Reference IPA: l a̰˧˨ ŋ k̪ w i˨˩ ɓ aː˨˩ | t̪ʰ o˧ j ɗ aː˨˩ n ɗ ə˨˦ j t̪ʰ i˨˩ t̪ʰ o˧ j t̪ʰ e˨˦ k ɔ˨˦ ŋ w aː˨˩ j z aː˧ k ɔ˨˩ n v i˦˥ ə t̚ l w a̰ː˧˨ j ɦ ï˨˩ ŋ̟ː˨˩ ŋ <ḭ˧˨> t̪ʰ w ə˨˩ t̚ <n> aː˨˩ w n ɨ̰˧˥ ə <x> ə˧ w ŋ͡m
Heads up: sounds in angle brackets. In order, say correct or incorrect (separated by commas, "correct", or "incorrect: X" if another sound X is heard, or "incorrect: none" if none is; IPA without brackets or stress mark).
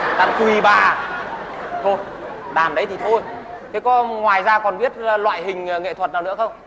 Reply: incorrect: ḛ˧˨, correct, correct